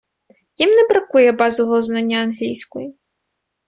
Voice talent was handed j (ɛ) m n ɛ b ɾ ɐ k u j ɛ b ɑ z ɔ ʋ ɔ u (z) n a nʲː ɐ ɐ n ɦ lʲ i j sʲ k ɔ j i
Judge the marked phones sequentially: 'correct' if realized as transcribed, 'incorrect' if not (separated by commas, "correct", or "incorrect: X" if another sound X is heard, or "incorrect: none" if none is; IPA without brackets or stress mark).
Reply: incorrect: i, correct